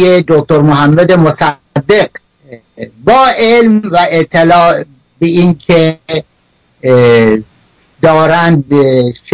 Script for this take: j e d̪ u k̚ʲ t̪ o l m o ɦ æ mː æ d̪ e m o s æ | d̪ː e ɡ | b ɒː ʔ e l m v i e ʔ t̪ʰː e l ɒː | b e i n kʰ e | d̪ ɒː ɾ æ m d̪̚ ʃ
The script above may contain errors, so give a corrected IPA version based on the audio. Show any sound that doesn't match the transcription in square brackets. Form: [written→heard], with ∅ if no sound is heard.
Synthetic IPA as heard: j e d̪ [u→o] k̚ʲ t̪ o [l→ɾ] m o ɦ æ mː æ d̪ e m o s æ | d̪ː e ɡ | b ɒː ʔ e l m v [i→æ] e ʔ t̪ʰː e l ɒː | b e i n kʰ e | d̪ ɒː ɾ æ [m→n] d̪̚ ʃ